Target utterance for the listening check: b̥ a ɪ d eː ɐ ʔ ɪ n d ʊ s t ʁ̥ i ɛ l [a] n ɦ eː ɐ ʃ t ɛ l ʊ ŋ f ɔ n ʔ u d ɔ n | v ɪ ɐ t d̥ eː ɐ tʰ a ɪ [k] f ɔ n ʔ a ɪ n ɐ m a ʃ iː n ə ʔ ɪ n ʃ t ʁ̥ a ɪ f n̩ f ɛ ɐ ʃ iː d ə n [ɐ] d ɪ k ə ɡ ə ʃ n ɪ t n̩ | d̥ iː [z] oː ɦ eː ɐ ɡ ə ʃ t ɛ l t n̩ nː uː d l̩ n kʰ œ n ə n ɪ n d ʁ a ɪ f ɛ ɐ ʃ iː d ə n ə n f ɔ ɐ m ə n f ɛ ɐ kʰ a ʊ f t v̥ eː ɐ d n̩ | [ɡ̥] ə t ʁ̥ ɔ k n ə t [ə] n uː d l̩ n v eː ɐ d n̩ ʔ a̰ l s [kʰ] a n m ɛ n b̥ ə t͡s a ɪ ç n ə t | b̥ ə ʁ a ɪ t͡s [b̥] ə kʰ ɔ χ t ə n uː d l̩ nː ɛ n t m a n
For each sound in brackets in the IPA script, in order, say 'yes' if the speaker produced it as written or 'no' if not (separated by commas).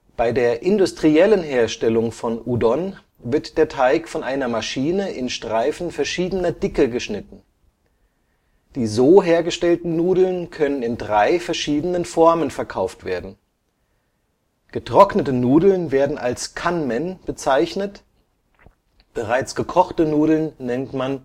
no, yes, yes, yes, yes, yes, yes, no